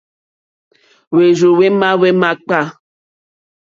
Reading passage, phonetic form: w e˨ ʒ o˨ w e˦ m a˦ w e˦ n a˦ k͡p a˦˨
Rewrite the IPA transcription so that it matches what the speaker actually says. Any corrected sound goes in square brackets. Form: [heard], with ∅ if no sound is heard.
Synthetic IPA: w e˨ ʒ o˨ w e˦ m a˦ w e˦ [m] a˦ k͡p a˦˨